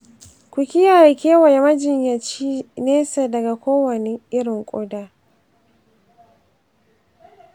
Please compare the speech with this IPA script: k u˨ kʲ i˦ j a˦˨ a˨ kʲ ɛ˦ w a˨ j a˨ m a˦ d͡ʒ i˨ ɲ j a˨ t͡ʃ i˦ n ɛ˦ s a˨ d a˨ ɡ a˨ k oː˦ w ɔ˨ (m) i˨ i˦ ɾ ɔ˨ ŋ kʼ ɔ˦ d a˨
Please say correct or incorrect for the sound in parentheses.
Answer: incorrect: n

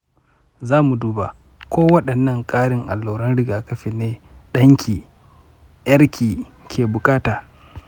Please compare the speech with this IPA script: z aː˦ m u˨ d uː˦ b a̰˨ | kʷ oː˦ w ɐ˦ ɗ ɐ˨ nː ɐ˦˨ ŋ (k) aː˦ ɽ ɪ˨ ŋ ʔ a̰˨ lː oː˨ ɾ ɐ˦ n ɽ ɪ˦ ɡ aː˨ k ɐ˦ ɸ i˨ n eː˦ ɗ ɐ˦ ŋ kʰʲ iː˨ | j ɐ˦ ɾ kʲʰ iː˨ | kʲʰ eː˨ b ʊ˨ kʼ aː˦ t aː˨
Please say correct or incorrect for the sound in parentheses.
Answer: incorrect: kʼ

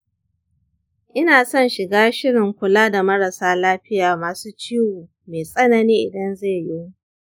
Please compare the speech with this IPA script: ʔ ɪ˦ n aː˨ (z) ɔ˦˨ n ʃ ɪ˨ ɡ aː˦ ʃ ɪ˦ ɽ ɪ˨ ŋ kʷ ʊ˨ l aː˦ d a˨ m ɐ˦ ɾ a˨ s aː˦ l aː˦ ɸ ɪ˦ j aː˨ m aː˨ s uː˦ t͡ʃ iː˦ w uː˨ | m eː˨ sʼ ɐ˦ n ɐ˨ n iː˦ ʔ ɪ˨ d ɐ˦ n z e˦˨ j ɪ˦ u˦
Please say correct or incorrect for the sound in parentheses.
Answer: incorrect: s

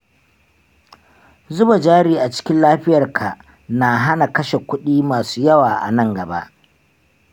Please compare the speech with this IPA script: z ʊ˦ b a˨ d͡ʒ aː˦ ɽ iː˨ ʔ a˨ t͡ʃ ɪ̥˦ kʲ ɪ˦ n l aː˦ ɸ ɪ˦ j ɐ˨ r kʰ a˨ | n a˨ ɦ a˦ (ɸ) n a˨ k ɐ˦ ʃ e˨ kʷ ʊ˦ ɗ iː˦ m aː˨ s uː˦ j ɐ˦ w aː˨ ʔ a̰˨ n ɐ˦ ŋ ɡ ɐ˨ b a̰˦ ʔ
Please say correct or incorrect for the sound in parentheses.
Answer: incorrect: none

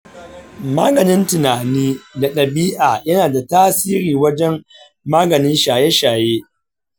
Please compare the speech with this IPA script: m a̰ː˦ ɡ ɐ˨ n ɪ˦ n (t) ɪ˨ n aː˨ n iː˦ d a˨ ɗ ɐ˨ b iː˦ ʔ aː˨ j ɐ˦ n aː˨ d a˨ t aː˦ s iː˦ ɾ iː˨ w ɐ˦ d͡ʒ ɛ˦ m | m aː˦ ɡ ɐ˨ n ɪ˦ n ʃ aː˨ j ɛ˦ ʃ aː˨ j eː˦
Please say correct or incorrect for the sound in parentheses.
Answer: correct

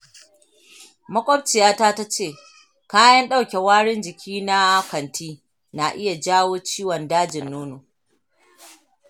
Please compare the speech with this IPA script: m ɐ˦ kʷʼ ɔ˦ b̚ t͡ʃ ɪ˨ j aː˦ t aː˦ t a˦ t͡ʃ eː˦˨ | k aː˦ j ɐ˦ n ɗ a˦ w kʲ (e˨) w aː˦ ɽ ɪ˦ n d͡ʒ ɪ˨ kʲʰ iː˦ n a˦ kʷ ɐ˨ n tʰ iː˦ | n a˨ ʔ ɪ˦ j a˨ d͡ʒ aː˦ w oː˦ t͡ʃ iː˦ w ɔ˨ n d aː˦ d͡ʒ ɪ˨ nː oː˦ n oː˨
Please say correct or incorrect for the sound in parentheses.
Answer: correct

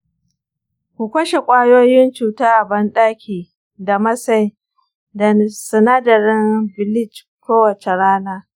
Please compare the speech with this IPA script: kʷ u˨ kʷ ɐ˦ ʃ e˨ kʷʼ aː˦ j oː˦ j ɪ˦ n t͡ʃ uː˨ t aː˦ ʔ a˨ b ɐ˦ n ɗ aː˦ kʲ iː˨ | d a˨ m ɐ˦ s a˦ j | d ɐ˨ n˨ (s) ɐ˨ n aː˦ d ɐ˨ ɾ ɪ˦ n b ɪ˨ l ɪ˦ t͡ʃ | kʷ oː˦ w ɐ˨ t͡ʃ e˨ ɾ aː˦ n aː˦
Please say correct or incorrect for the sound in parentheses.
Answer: correct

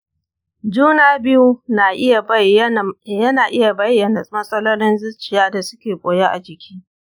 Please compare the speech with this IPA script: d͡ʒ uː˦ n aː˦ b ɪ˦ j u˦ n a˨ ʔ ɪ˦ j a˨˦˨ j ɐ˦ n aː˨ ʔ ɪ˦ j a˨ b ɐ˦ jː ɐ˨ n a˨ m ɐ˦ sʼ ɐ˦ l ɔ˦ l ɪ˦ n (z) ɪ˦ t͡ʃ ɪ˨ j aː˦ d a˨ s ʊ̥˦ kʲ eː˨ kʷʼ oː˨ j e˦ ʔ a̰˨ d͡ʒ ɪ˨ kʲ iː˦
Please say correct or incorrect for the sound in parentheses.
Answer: correct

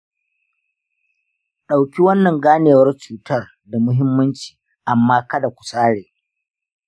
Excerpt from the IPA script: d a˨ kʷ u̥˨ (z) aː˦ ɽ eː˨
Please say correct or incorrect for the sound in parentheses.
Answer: incorrect: s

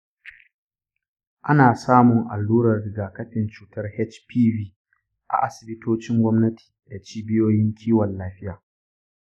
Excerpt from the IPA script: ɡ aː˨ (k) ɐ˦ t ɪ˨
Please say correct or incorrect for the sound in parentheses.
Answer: correct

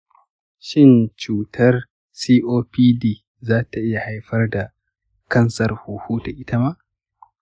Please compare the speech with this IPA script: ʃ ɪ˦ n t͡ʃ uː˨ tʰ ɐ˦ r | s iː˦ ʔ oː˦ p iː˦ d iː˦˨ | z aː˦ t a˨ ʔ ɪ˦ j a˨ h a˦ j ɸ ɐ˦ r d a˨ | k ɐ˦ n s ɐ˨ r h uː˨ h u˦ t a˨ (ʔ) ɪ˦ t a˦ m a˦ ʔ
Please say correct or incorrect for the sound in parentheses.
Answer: correct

